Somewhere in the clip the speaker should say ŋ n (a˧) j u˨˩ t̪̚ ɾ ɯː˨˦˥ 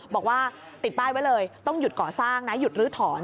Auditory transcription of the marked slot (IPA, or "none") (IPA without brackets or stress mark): a˦˥